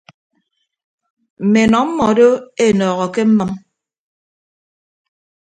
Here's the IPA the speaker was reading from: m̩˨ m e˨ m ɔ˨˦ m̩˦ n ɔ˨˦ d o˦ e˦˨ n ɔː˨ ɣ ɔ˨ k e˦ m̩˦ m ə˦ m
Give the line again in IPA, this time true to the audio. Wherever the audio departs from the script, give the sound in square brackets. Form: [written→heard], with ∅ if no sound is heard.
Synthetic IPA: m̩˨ m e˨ [m→n] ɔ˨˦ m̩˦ [n→m] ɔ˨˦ d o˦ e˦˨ n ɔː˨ ɣ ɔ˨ k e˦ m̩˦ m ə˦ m